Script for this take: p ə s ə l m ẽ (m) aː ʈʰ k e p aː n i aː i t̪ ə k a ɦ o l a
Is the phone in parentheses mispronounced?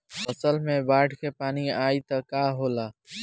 yes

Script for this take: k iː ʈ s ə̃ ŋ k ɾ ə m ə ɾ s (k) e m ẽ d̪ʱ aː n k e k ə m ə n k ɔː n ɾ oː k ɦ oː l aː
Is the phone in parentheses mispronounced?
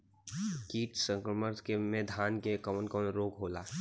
no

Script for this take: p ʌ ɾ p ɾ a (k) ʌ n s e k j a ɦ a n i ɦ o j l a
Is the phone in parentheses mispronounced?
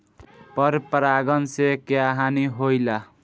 yes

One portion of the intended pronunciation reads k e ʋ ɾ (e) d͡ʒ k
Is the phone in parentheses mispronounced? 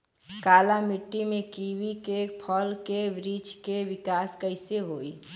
yes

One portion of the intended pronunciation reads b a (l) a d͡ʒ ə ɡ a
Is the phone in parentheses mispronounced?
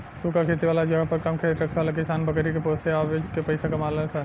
no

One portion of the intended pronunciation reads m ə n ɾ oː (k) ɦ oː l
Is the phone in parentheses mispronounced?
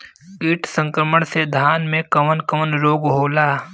yes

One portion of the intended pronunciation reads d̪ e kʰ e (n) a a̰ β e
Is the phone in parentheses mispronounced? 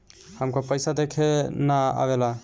no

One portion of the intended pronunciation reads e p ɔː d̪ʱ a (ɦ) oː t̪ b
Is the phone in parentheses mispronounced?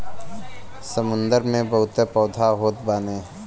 no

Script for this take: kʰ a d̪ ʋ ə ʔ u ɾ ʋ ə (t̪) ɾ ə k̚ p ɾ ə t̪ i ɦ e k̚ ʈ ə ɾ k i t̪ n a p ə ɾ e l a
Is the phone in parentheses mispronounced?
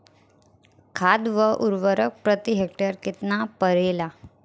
yes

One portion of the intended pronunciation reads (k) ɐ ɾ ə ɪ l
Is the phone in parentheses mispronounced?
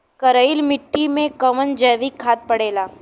no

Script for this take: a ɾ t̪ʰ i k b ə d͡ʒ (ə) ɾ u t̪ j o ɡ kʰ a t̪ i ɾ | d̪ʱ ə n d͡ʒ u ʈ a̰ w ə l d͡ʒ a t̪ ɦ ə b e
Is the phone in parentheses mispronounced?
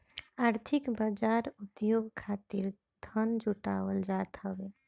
yes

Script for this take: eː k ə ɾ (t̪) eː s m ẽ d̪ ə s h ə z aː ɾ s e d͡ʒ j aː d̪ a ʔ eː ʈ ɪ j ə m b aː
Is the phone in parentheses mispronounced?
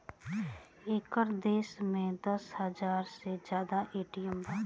yes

